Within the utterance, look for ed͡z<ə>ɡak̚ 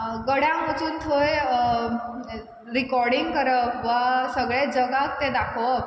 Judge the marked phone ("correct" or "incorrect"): correct